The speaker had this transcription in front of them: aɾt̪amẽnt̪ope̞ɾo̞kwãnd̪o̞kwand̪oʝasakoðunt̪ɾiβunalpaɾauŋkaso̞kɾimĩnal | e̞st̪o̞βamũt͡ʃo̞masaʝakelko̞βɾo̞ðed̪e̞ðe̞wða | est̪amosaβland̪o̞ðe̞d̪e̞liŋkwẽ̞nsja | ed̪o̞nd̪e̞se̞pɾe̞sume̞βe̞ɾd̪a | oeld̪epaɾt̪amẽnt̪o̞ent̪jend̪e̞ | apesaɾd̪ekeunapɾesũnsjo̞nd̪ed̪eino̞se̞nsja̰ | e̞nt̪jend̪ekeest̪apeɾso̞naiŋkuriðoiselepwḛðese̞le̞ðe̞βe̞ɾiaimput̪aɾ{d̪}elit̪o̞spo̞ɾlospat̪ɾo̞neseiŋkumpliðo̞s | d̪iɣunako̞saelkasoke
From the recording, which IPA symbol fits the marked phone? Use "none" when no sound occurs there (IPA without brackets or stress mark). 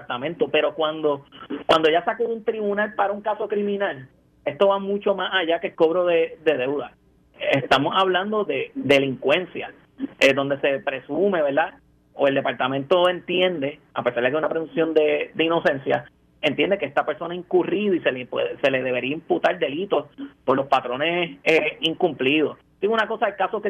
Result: d̪